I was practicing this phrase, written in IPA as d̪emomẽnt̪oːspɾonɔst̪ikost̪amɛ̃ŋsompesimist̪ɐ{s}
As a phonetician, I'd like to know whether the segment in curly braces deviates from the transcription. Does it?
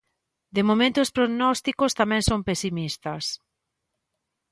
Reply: no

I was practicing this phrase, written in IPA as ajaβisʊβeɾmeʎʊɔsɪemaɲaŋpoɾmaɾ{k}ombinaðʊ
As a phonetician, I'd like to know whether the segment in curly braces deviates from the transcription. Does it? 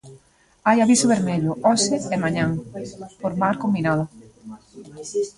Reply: no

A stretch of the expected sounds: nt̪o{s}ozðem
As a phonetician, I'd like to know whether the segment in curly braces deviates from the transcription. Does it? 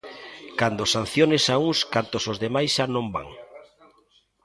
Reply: no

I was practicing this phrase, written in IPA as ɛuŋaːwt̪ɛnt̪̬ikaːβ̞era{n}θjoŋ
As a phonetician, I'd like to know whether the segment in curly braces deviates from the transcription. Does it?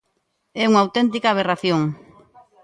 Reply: yes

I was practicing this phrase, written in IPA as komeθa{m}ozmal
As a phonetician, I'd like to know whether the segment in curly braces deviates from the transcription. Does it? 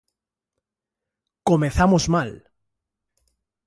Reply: no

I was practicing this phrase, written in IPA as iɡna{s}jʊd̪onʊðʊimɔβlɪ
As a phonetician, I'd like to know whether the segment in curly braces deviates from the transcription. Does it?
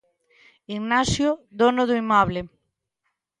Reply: no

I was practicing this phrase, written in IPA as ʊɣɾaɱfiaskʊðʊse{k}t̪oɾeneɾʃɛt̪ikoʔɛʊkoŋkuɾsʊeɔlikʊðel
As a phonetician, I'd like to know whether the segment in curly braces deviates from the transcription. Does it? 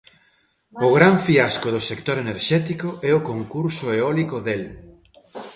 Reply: no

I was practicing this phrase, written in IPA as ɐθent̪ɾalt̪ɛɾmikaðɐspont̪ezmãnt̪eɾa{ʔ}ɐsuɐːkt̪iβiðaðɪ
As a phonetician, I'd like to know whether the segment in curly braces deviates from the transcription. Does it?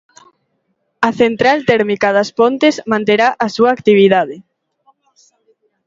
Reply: no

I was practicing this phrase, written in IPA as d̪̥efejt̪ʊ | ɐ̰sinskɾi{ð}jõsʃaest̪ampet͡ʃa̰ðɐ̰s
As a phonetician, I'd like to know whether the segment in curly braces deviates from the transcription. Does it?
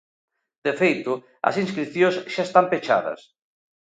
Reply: yes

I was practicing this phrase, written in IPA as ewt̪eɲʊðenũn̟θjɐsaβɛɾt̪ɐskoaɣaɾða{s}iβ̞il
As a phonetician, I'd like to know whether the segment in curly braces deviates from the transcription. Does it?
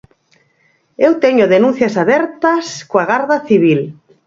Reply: yes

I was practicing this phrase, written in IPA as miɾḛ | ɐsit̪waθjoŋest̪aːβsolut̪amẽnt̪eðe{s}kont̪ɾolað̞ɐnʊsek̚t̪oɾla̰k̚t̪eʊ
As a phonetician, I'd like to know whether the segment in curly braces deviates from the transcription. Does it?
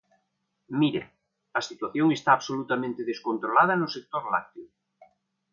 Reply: no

